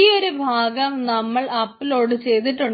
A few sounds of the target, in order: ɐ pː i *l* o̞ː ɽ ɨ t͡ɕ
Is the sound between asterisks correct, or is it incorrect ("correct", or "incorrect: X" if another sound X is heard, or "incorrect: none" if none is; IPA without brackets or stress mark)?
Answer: correct